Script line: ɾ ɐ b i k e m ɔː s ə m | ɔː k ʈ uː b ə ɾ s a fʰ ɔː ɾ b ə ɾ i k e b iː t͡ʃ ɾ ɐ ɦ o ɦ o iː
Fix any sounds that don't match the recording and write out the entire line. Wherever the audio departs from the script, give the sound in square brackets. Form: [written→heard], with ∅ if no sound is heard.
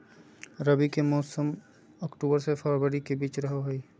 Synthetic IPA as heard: ɾ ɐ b i k e m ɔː s ə m | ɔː k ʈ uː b ə ɾ s [a→e] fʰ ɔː ɾ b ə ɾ i k e b iː t͡ʃ ɾ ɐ ɦ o ɦ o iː